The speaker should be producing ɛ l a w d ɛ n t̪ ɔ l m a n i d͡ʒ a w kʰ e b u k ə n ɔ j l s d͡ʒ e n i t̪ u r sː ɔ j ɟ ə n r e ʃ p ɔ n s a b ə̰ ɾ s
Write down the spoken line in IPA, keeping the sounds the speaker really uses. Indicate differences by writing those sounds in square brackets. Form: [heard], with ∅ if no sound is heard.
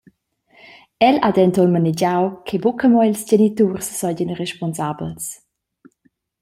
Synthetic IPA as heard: ɛ l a [∅] d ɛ n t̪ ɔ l m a n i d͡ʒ a w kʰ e b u k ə [m] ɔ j l s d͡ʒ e n i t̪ u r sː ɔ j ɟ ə n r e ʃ p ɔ n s a b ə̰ [l] s

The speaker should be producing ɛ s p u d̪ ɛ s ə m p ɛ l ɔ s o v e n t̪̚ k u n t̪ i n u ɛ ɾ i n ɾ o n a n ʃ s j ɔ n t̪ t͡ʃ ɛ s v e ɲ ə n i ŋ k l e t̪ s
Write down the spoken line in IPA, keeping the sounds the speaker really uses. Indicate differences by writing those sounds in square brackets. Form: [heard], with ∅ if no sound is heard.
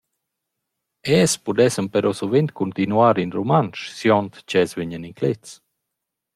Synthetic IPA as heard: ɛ s p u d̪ ɛ s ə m p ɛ [ɾ] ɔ s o v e n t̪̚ k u n t̪ i n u [a] ɾ i n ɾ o [m] a n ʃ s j ɔ n t̪ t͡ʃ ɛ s v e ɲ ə n i ŋ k l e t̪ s

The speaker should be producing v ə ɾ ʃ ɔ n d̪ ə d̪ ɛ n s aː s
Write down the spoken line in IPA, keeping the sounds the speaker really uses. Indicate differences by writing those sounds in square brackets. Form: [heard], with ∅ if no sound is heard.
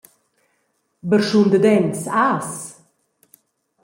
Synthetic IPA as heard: [b] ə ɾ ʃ [u] n d̪ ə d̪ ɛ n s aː s

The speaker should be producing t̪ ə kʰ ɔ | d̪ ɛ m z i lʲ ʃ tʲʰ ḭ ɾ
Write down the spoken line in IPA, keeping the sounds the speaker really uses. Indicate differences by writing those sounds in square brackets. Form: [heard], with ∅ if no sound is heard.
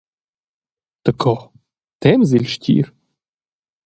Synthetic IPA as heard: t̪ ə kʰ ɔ | [t̪] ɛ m z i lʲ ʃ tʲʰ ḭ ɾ

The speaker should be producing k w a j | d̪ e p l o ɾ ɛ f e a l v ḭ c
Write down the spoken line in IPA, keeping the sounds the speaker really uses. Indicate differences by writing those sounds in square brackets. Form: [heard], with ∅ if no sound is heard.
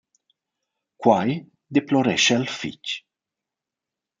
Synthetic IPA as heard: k w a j | d̪ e p l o ɾ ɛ [ʃ] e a l [f] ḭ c

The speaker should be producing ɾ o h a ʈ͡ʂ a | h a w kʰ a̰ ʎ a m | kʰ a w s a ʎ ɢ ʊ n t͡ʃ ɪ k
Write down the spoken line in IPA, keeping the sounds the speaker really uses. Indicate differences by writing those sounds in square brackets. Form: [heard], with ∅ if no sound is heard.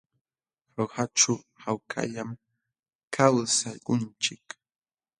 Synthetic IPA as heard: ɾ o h a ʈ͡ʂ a | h a w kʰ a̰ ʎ a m | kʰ a w s a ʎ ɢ ʊ n t͡ʃ ɪ k

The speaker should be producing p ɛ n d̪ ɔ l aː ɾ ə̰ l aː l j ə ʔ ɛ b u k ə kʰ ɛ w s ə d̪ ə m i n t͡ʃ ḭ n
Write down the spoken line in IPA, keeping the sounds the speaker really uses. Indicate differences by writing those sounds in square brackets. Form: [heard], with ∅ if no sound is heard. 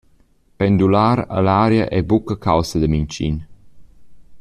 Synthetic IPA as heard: p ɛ n d̪ [u] l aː ɾ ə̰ l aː [ɾ] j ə ʔ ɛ b u k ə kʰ [a] w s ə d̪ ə m i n t͡ʃ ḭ n

